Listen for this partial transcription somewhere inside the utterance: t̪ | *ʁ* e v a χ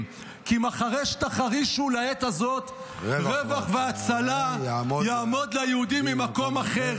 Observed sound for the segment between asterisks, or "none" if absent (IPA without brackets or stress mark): ʁ